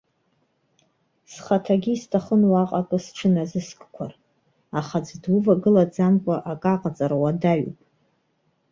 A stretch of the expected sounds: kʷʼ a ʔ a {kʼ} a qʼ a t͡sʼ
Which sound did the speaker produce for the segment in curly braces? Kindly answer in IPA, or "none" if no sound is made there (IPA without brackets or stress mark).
kʼ